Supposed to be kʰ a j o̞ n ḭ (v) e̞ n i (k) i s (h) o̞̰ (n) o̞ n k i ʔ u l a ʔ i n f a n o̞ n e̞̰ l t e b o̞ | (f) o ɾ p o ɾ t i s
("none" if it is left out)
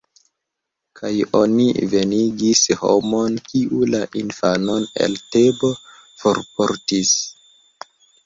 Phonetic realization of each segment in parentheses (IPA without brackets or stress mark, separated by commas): v, ɡ, h, m, f